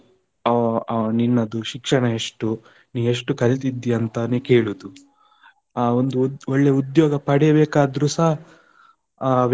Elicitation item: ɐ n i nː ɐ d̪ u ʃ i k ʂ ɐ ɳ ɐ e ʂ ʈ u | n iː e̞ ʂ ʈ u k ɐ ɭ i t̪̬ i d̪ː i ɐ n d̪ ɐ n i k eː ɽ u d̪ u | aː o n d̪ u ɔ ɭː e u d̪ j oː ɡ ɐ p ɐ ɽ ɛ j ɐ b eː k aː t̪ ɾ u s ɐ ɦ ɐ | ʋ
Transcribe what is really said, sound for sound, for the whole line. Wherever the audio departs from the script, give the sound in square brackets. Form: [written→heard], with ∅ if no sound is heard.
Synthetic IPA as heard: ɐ n i nː ɐ d̪ u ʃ i k ʂ ɐ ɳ ɐ e ʂ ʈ u | n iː e̞ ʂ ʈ u k ɐ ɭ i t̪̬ i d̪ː i ɐ n [d̪→t̪] ɐ n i k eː [ɽ→ɭ] u d̪ u | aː o n d̪ u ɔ ɭː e u d̪ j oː ɡ ɐ p ɐ ɽ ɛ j ɐ b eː k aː [t̪→d̪] ɾ u s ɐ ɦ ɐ | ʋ